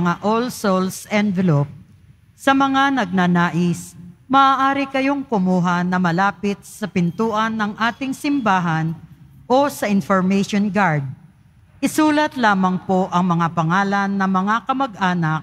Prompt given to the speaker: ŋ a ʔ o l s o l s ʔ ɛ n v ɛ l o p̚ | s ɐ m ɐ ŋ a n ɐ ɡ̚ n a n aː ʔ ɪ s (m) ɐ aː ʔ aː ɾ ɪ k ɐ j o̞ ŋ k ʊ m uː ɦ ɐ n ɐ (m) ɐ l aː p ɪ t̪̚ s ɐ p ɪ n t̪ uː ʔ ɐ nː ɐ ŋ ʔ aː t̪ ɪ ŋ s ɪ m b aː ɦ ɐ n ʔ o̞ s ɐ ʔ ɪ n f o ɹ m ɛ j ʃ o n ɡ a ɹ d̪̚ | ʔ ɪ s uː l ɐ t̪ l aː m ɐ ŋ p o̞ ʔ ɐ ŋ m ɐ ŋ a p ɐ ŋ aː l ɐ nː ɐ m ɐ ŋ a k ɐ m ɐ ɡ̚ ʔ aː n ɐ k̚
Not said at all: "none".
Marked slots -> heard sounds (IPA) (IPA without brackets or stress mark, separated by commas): m, m